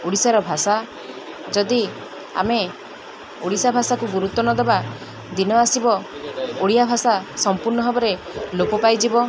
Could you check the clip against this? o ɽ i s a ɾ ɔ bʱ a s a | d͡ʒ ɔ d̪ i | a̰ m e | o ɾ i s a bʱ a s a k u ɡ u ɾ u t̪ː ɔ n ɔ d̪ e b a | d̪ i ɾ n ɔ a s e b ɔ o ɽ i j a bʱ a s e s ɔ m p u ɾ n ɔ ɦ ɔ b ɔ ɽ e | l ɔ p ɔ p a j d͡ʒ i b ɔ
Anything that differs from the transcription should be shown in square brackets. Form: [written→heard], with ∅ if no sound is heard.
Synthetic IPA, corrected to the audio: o ɽ i s a ɾ ɔ bʱ a s a | d͡ʒ ɔ d̪ i | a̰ m e | o [ɾ→ɽ] i s a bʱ a s a k u ɡ u ɾ u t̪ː ɔ n ɔ d̪ e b a | d̪ i [ɾ→∅] n ɔ a s [e→i] b ɔ o ɽ i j a bʱ a s [e→a] s ɔ m p u ɾ n ɔ ɦ ɔ b ɔ [ɽ→ɾ] e | l [ɔ→o] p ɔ p a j d͡ʒ i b ɔ